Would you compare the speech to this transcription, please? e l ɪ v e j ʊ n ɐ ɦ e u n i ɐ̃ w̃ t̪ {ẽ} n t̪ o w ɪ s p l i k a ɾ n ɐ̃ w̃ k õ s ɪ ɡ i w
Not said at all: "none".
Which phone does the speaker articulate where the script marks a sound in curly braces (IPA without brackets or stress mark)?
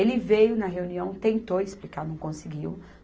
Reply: ẽ